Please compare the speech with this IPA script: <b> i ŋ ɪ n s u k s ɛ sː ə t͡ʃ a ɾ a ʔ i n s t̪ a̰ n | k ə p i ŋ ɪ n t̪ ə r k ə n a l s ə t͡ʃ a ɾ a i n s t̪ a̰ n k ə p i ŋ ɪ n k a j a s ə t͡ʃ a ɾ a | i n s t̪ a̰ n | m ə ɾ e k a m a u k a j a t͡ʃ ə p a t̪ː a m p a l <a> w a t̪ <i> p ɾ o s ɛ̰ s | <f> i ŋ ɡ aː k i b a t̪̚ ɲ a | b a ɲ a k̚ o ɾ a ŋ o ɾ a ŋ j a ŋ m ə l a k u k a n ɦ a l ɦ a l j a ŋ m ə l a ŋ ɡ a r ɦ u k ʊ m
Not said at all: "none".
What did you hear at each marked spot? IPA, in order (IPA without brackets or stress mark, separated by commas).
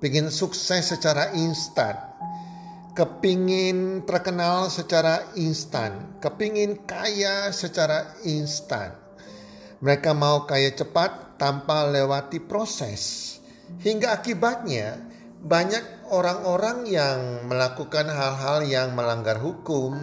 p, e, i, h